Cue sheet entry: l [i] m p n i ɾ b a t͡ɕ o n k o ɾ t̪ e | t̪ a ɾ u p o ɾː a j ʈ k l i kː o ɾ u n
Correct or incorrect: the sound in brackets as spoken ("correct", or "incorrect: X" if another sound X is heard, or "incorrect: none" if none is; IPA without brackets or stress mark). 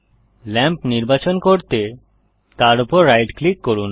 incorrect: ɛ